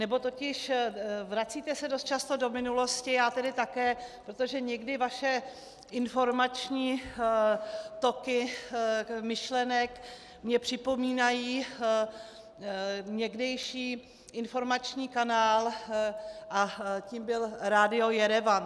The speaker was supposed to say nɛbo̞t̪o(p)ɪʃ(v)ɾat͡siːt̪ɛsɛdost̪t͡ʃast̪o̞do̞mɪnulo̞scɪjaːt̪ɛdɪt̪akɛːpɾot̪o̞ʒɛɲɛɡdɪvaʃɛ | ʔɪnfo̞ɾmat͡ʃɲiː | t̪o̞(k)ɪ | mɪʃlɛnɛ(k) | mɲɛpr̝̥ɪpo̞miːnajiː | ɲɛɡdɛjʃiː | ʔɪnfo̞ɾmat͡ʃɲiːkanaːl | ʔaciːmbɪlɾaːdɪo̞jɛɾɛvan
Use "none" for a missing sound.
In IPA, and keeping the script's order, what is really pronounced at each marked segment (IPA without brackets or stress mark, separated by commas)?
c, v, k, k